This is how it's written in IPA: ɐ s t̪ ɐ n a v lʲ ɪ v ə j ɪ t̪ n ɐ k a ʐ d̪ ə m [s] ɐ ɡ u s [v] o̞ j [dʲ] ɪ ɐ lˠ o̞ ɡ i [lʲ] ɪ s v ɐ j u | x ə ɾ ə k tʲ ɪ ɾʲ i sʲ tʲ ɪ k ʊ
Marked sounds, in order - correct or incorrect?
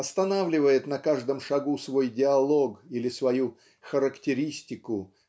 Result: incorrect, correct, correct, correct

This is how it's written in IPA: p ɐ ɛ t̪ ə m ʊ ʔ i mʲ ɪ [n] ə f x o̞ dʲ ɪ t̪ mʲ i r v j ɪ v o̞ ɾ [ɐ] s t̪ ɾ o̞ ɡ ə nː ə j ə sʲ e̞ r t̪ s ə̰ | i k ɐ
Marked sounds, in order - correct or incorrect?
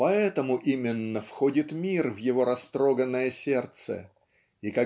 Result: incorrect, correct

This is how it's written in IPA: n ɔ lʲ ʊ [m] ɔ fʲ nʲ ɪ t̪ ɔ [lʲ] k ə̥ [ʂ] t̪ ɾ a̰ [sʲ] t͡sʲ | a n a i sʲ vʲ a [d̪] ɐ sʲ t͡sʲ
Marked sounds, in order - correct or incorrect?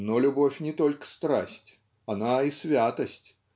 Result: incorrect, correct, incorrect, correct, incorrect

